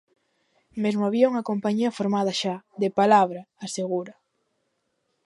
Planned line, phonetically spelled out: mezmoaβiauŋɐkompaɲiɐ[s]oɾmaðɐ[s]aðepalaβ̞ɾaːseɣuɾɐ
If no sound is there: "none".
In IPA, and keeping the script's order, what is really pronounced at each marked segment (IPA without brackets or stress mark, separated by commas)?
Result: f, ʃ